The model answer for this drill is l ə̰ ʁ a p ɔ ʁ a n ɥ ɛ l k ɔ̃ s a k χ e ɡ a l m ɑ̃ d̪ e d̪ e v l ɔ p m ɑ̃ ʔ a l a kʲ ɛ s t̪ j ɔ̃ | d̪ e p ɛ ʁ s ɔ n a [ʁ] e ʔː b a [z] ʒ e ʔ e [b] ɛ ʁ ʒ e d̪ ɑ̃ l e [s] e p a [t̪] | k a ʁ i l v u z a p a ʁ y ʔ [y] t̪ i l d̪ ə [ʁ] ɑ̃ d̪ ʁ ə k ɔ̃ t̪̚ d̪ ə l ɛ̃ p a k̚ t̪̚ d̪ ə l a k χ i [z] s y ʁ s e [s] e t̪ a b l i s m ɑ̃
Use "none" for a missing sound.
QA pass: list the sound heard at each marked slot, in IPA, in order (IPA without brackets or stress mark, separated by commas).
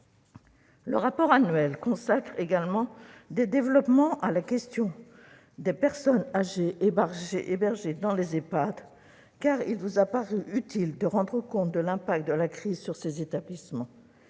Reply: ʒ, ʁ, b, z, d̪, y, ʁ, z, z